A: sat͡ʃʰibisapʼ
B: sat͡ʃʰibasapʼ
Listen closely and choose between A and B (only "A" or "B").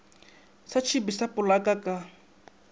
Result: A